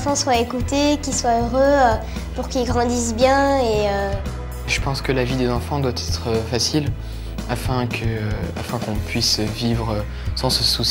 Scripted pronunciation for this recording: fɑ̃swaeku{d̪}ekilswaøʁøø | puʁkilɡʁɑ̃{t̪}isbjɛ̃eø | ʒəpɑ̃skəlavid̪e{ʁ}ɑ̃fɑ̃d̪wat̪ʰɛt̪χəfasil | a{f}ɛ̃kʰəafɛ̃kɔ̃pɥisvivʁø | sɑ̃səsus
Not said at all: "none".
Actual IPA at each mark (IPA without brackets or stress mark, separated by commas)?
t̪, d̪, z, f